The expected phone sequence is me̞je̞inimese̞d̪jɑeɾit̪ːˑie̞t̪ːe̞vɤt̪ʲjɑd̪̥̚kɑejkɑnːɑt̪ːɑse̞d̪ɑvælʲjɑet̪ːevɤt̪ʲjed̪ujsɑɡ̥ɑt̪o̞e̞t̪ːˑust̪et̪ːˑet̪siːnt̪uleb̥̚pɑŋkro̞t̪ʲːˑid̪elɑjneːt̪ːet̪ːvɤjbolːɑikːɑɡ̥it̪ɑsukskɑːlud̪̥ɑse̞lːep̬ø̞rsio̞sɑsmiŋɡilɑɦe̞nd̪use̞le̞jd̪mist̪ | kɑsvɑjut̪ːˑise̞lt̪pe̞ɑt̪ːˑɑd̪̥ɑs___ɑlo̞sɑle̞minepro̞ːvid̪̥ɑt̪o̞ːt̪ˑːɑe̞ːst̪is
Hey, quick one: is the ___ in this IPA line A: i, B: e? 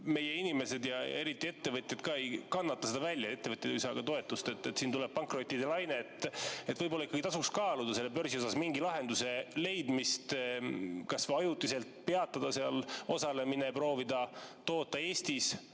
B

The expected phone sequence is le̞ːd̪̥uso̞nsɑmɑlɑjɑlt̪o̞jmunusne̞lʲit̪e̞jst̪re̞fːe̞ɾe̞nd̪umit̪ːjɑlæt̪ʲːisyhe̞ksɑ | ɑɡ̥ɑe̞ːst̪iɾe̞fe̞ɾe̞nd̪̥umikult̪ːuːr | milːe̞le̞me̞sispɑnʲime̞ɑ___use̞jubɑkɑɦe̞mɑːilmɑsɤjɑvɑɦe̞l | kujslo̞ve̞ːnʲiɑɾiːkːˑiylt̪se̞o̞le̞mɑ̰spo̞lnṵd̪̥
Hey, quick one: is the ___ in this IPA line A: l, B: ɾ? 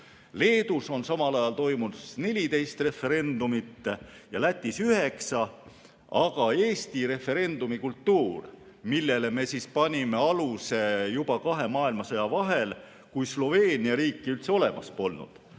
A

